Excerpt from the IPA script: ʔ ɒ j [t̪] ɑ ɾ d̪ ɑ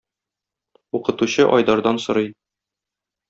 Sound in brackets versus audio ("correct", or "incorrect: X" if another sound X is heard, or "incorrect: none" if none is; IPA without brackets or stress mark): incorrect: d̪